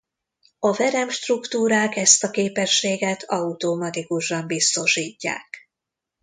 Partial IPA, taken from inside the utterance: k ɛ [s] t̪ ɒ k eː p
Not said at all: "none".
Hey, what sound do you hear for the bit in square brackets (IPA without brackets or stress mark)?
s